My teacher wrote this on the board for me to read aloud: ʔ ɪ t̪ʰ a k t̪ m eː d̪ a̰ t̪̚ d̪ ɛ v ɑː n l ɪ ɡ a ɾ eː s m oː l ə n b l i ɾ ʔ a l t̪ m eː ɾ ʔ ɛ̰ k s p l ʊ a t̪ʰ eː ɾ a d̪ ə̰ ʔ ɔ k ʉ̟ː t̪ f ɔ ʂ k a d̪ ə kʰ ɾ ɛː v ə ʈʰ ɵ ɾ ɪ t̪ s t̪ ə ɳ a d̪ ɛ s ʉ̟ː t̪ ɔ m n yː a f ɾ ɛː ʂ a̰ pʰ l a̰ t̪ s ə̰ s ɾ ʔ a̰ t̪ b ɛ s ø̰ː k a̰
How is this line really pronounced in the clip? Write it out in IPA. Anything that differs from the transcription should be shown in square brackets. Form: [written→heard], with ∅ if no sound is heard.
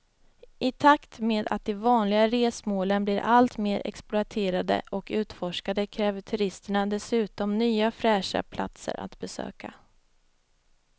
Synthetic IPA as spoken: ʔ ɪ t̪ʰ a k t̪ m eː d̪ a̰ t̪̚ d̪ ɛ v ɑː n l ɪ ɡ a ɾ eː s m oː l ə n b l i ɾ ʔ a l t̪ m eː ɾ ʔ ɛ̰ k s p l ʊ a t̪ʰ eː ɾ a d̪ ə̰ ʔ ɔ k ʉ̟ː t̪ f ɔ ʂ k a d̪ ə kʰ ɾ ɛː v ə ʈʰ ɵ ɾ ɪ [t̪→∅] s t̪ ə ɳ a d̪ ɛ s ʉ̟ː t̪ ɔ m n yː a f ɾ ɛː ʂ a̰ pʰ l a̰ t̪ s ə̰ [s→∅] ɾ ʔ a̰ t̪ b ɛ s ø̰ː k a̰

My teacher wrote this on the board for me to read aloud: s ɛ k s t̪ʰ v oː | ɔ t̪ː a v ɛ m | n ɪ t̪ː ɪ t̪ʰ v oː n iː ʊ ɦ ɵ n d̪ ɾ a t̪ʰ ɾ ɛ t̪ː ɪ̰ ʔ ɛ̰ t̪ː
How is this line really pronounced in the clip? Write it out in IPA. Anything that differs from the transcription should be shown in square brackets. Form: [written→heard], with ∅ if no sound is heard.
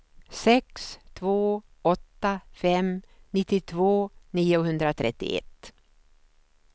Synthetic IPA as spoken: s ɛ k s t̪ʰ v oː | ɔ t̪ː a [v→f] ɛ m | n ɪ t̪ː ɪ t̪ʰ v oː n iː ʊ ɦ ɵ n d̪ ɾ a t̪ʰ ɾ ɛ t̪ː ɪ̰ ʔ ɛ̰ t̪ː

